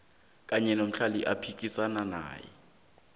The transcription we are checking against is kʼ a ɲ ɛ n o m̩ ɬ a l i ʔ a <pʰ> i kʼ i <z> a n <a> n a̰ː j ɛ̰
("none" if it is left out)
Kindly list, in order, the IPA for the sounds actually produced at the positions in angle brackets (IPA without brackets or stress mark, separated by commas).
pʰ, s, a